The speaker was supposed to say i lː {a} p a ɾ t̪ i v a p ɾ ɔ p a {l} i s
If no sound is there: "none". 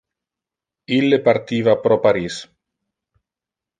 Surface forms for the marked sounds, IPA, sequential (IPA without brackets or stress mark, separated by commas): e, ɾ